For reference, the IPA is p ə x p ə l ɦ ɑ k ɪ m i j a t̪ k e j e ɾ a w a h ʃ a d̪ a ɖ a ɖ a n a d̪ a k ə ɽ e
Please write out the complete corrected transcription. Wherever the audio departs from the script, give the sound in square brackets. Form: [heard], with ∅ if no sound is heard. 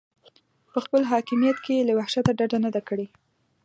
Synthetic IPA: p ə x p ə l ɦ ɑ k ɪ m i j a t̪ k e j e [l] a w a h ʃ a [t̪] a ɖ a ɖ a n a d̪ a k ə ɽ e